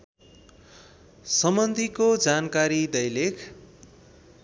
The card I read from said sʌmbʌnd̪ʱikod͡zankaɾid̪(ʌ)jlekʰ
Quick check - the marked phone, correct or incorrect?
correct